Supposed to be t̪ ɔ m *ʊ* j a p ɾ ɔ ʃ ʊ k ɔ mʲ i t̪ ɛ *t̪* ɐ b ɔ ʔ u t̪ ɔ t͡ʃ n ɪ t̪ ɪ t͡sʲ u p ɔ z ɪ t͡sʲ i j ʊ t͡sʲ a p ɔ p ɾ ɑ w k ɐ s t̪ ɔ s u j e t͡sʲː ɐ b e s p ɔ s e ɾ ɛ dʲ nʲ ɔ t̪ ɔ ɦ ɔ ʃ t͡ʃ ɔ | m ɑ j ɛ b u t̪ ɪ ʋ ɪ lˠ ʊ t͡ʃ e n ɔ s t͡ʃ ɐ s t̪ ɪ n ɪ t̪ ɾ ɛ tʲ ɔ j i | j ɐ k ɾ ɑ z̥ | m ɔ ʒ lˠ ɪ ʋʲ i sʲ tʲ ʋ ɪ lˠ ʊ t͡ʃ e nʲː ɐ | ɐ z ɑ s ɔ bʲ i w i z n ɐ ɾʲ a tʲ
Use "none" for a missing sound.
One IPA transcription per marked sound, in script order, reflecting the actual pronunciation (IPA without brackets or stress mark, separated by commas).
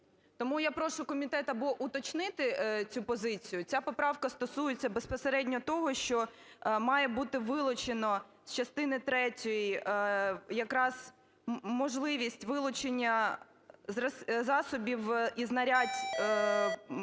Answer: u, t̪